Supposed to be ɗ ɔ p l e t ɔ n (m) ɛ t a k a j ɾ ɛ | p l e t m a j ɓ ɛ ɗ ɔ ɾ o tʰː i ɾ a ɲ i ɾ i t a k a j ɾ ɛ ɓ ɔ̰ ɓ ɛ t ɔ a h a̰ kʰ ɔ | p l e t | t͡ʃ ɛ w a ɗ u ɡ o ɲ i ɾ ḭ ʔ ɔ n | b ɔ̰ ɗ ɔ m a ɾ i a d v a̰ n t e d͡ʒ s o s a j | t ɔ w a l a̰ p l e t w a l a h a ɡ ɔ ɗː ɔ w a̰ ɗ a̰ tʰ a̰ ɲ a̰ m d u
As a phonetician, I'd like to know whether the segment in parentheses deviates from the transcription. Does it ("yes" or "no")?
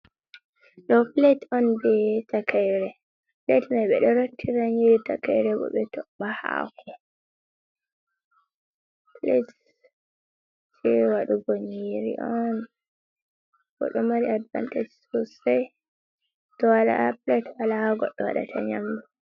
yes